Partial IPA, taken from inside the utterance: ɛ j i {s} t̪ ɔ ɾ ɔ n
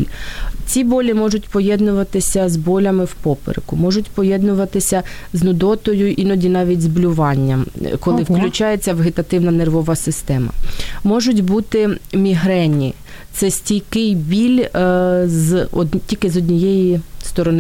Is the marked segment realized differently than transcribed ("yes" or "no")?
no